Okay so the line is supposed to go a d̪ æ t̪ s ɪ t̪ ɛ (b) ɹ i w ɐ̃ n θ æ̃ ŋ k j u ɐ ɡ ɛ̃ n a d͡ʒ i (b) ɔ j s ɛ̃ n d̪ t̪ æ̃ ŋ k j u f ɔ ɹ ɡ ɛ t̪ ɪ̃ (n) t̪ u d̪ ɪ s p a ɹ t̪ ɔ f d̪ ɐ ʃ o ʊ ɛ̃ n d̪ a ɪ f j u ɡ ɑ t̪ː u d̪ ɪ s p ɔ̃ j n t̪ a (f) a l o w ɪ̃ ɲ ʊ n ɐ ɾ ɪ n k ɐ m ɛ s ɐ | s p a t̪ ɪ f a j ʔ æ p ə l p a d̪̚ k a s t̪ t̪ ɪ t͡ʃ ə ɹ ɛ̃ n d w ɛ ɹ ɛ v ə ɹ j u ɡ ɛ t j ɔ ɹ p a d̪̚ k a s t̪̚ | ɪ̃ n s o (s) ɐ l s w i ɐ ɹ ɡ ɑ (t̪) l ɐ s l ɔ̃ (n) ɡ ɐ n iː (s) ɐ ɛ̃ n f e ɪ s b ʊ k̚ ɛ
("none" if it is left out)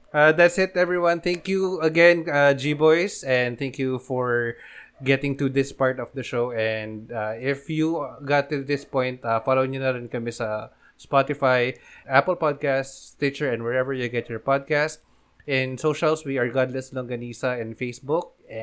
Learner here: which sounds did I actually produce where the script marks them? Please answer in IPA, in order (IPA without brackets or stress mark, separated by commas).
v, b, ŋ, f, ʃ, d̪, ŋ, s